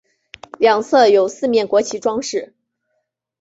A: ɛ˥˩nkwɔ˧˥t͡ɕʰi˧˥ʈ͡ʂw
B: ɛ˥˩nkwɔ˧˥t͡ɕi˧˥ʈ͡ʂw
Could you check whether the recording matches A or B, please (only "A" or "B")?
A